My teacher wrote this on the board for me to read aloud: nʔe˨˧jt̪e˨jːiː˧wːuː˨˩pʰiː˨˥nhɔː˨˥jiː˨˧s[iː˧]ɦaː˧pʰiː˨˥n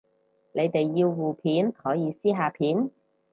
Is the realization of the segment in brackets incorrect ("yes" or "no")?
yes